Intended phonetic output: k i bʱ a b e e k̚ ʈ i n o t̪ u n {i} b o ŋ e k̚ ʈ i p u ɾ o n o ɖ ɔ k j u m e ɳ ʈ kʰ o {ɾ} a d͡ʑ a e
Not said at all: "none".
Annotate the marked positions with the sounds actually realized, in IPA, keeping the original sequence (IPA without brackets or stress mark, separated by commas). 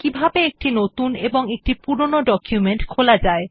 e, l